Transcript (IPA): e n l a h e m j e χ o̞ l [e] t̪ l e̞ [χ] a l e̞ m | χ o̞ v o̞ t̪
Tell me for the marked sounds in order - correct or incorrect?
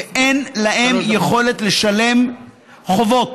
correct, incorrect

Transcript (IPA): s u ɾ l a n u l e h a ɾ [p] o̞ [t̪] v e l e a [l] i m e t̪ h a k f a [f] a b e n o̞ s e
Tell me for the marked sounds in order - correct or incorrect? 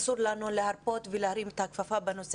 correct, correct, incorrect, correct

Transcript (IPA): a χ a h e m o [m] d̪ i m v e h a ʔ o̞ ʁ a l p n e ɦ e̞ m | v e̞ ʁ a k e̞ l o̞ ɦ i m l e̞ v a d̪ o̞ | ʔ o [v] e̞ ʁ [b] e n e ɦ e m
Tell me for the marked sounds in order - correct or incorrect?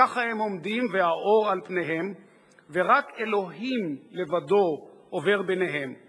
correct, correct, correct

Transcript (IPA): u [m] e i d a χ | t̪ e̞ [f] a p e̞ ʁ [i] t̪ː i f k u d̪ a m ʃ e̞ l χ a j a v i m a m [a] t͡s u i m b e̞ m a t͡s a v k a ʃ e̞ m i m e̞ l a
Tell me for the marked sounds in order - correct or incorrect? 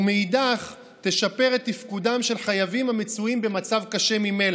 correct, incorrect, incorrect, incorrect

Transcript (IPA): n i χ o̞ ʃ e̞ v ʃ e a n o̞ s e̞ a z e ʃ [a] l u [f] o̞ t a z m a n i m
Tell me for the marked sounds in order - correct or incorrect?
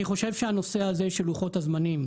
incorrect, incorrect

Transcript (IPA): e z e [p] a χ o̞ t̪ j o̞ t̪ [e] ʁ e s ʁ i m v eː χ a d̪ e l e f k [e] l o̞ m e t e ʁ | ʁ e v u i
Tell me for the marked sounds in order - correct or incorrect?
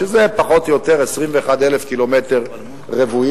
correct, correct, incorrect

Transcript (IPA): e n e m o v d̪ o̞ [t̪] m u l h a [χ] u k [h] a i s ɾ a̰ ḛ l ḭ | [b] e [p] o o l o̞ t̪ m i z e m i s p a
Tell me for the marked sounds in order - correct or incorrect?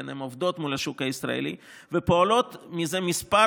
correct, incorrect, correct, incorrect, correct

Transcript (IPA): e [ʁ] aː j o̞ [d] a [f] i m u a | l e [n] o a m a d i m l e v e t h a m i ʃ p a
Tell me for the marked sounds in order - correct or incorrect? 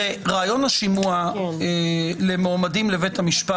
correct, incorrect, incorrect, incorrect

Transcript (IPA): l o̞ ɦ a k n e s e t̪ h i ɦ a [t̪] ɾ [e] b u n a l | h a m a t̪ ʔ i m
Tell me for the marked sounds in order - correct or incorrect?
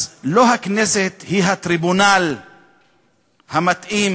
correct, incorrect

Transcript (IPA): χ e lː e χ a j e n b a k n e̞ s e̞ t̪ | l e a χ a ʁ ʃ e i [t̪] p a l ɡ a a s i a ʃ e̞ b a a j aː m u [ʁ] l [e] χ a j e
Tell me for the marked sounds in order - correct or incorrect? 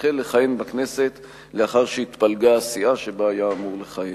correct, correct, correct

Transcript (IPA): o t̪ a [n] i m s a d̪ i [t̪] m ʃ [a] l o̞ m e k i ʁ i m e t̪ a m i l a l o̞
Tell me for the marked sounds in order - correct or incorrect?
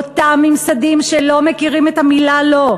incorrect, incorrect, incorrect

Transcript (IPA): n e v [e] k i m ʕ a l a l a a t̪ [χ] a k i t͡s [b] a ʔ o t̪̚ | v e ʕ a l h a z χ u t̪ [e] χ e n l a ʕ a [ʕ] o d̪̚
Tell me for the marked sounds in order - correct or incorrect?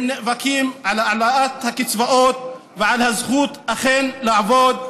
incorrect, incorrect, incorrect, incorrect, incorrect

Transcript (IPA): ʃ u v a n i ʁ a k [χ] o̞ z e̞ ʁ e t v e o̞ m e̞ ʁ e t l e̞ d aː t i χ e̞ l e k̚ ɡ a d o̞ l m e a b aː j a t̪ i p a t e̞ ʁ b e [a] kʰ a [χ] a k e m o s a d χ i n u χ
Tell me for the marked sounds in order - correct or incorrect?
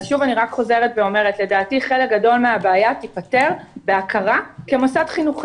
correct, correct, incorrect

